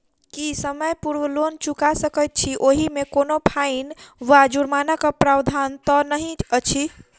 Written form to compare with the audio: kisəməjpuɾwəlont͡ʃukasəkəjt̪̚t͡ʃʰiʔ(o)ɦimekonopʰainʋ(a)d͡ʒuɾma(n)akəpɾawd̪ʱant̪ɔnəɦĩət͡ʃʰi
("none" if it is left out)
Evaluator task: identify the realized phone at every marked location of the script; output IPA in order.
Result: o, a, n

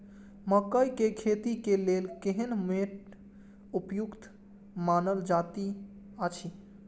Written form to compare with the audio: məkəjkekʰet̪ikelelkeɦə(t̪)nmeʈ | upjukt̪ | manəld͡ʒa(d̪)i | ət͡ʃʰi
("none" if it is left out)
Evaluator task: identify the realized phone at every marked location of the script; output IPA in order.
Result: none, t̪

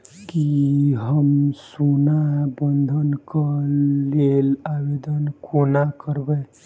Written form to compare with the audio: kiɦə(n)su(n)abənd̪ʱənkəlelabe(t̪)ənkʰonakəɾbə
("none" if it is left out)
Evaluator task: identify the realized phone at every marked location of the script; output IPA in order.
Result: m, n, d̪

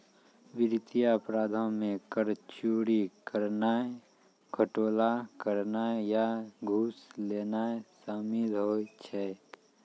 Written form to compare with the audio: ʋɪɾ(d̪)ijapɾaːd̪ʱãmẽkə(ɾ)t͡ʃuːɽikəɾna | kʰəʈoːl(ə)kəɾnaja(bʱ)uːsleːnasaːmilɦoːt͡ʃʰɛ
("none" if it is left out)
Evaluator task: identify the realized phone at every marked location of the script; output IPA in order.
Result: t̪, ɾ, a, ɡʱ

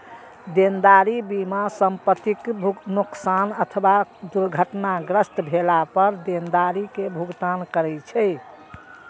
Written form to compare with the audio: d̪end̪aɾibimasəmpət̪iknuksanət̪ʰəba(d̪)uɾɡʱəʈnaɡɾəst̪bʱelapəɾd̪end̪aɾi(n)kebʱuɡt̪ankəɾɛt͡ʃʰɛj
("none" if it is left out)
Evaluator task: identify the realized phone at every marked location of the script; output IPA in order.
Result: d̪, none

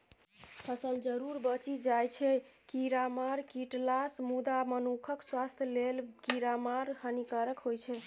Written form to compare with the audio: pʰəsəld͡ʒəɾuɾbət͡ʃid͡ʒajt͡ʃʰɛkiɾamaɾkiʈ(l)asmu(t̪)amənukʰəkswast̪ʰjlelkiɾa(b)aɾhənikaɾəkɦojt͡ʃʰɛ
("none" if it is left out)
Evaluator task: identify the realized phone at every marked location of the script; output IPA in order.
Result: l, d̪, m

